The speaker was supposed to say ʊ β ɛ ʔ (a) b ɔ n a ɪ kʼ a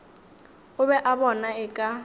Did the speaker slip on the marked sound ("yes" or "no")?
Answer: no